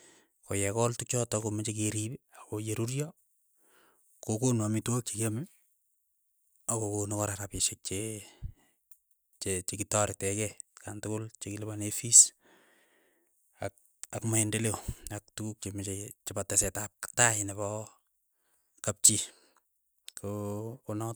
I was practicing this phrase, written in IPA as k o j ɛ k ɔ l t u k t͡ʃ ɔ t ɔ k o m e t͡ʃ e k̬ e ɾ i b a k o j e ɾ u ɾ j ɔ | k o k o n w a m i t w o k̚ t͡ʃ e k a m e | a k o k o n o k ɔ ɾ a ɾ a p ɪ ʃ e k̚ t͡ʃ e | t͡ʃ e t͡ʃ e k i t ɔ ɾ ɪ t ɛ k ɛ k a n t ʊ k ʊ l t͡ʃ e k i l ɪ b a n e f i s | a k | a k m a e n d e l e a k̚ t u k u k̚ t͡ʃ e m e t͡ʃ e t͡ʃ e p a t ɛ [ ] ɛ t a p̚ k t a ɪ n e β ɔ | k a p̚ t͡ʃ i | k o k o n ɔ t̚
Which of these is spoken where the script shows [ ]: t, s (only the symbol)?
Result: s